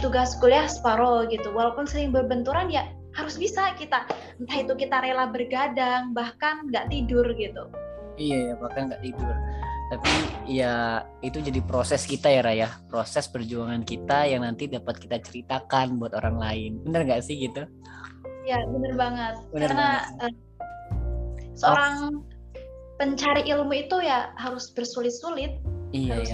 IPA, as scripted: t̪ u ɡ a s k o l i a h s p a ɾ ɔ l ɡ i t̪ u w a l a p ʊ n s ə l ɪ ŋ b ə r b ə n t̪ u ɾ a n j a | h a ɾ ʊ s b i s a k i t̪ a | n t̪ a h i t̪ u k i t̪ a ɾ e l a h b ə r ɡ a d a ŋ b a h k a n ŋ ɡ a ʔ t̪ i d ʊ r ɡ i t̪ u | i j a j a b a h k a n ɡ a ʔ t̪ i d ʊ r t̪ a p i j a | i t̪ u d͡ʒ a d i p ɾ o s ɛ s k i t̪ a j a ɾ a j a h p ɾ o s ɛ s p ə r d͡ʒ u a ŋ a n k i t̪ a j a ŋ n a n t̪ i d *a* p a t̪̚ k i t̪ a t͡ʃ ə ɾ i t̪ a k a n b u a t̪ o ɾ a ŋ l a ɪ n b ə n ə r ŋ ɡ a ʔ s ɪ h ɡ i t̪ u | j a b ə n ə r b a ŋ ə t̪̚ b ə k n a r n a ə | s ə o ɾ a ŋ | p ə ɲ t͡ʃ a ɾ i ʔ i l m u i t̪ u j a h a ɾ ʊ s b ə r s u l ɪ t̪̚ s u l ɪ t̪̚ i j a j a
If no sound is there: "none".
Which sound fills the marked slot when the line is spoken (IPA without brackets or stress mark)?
a